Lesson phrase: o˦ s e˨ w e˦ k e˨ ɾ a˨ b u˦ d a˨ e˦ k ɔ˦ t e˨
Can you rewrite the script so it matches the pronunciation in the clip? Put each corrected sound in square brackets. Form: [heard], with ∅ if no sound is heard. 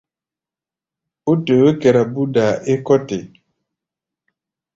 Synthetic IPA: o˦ [t] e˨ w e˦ k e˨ ɾ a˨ b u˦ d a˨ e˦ k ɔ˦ t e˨